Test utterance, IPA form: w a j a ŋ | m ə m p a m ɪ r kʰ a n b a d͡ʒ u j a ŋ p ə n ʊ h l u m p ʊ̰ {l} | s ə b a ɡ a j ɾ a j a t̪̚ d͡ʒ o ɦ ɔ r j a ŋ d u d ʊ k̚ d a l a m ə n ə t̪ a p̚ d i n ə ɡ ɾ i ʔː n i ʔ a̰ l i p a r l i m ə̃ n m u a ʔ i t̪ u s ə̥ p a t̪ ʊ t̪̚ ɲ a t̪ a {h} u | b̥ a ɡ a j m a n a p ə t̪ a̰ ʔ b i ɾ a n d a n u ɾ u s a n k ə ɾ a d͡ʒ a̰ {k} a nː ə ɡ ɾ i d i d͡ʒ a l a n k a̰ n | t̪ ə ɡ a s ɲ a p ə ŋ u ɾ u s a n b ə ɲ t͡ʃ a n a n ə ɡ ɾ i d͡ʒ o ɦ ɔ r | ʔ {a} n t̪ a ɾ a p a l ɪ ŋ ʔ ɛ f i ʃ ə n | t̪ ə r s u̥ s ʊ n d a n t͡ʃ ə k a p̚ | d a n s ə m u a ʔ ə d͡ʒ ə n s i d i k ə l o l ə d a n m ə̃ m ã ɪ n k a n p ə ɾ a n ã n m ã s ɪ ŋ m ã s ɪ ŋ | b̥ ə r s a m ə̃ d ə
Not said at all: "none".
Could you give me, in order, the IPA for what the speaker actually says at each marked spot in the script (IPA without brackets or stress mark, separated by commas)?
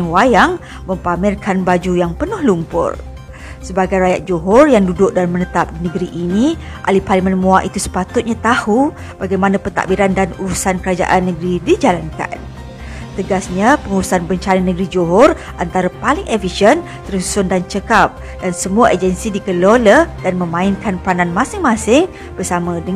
r, h, ʔ, a